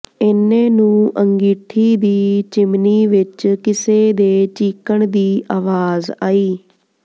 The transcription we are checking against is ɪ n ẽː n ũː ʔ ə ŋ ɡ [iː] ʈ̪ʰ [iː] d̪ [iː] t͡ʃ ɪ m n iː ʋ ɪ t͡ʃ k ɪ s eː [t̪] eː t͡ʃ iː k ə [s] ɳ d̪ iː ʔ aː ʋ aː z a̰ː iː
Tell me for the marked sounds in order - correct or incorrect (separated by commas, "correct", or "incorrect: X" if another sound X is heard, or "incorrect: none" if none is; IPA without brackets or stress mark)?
correct, correct, correct, incorrect: d̪, incorrect: none